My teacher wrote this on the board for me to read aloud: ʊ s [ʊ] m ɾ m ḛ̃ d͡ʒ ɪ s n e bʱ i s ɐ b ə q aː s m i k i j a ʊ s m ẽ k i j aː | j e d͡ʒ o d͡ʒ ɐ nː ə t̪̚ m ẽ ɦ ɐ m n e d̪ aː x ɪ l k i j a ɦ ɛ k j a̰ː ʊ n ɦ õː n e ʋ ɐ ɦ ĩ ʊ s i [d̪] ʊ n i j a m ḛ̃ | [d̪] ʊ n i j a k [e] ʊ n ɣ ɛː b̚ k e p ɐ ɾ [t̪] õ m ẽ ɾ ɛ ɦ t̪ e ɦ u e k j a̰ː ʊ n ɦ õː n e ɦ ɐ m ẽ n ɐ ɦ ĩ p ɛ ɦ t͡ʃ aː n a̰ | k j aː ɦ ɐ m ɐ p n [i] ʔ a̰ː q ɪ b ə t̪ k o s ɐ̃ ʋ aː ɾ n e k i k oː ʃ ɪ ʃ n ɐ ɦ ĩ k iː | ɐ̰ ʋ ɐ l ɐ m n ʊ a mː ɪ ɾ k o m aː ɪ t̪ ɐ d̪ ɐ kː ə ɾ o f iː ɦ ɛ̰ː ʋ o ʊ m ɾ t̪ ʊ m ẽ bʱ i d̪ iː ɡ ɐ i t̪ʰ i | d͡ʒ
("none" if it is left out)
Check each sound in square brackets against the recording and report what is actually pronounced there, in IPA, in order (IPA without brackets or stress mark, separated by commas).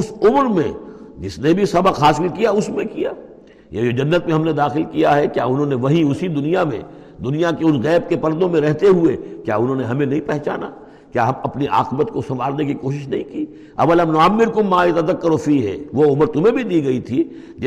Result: ʊ, d̪, d̪, e, d̪, i